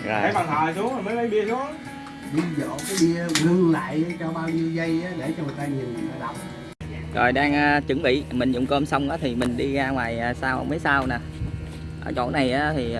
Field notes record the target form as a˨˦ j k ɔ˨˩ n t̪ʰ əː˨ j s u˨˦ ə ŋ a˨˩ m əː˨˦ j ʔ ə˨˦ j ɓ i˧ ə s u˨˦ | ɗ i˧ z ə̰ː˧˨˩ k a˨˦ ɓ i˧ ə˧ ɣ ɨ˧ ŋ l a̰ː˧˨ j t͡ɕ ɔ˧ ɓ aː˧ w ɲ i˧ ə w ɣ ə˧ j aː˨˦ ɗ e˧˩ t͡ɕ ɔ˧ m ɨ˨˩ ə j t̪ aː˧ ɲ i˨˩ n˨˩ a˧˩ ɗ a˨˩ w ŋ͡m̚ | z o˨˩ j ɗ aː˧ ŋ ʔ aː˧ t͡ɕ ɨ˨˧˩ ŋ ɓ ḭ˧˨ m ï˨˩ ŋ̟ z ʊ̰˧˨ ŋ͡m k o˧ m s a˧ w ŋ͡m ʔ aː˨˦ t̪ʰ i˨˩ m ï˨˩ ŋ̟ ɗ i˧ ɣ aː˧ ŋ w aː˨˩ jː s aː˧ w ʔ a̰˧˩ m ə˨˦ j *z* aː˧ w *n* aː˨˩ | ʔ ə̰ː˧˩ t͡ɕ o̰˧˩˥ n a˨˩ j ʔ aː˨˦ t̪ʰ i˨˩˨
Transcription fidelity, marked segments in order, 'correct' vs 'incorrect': incorrect: s, correct

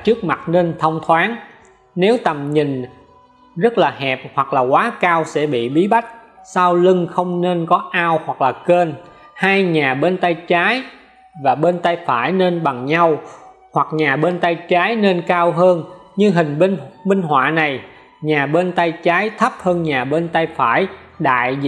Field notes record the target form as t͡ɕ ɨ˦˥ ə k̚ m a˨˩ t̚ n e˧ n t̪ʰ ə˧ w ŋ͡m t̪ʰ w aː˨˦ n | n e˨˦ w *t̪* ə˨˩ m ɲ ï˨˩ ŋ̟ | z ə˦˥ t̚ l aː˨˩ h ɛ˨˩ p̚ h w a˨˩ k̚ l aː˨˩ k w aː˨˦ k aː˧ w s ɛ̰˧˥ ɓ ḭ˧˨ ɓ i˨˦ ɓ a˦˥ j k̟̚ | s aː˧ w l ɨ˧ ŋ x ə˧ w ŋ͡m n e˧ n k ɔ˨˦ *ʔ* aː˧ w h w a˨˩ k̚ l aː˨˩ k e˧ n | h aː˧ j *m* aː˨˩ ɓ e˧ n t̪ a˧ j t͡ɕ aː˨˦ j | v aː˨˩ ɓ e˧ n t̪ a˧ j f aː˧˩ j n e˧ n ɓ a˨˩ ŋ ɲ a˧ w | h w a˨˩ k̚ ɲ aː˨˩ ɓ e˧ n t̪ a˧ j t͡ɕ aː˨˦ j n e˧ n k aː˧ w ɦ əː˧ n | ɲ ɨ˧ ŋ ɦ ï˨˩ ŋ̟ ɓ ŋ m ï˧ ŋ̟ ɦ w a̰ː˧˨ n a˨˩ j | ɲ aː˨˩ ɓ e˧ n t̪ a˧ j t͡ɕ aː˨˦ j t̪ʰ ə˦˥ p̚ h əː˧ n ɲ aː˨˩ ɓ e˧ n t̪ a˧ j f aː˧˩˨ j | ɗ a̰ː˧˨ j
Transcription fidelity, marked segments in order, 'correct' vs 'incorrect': correct, correct, incorrect: ɲ

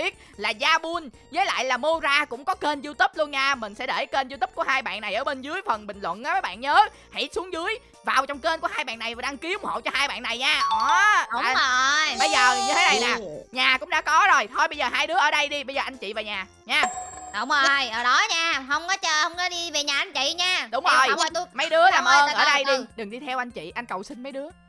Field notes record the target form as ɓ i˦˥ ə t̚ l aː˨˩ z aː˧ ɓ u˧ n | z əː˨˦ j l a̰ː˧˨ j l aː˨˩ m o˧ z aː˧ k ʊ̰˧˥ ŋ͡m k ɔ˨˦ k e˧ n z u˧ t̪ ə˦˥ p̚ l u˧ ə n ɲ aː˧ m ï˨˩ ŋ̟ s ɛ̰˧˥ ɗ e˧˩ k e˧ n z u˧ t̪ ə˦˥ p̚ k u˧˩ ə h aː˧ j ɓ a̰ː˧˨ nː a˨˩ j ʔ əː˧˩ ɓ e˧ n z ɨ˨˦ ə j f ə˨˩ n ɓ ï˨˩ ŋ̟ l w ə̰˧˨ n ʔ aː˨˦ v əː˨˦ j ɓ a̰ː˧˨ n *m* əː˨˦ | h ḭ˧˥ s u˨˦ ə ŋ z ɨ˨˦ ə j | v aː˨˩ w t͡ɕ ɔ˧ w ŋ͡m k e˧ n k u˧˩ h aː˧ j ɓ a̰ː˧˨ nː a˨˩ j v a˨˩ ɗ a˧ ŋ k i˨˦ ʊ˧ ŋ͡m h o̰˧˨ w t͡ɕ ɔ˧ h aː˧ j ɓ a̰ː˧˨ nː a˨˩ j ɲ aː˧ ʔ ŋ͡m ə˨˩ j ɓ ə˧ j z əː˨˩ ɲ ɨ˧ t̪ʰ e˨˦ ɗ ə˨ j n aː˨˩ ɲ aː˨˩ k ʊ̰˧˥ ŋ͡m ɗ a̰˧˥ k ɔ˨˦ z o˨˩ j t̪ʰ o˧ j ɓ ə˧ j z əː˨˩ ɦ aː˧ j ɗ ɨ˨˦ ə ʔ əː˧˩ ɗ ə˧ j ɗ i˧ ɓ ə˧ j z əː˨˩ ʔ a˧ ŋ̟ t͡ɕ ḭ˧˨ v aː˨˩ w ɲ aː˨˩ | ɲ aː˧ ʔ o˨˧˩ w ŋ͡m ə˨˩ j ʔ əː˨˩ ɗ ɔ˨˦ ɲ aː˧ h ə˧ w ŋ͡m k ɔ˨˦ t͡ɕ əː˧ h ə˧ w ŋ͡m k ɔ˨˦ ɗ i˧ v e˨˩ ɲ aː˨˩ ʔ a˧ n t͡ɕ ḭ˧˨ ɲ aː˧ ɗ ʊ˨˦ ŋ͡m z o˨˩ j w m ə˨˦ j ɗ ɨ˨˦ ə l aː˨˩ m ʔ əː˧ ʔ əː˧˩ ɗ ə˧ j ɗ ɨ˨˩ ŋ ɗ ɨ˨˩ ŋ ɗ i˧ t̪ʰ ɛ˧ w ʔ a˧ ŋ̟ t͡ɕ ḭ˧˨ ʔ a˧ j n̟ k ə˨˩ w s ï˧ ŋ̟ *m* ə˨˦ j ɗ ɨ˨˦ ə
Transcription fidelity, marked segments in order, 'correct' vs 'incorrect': incorrect: ɲ, correct

